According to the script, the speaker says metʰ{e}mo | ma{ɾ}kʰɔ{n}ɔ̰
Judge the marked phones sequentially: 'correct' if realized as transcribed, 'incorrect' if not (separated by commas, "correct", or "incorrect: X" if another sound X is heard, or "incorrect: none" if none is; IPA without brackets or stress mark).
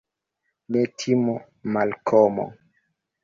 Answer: incorrect: i, incorrect: l, incorrect: m